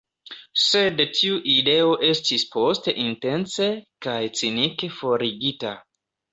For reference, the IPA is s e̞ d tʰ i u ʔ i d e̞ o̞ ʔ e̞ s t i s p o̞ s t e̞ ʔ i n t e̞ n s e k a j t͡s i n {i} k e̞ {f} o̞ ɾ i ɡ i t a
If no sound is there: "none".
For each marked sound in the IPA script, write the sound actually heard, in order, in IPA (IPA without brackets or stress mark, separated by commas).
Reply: i, f